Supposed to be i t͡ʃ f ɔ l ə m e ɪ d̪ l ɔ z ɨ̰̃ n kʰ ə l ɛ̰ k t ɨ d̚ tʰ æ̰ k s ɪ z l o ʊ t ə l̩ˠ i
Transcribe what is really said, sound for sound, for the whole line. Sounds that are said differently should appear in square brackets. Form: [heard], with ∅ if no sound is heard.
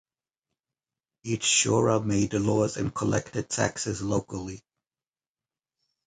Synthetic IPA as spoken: i t͡ʃ [ʃ] ɔ [ɹ] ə m e ɪ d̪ l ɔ z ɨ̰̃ n kʰ ə l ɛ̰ k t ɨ d̚ tʰ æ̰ k s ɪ z l o ʊ [k] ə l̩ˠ i